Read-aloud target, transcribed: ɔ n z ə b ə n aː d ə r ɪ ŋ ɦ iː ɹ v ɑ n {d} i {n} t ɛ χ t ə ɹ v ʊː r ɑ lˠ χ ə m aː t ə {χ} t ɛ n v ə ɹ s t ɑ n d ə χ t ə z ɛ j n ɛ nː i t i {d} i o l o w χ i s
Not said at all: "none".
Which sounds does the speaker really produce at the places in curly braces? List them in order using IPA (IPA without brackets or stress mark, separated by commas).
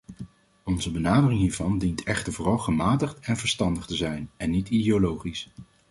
d, n, χ, d